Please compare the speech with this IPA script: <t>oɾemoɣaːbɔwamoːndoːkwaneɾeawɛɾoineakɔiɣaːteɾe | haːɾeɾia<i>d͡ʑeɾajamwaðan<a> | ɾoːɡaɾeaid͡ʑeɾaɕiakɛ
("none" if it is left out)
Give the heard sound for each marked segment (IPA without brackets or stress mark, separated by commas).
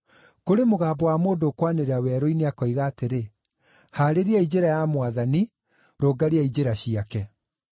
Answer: k, i, i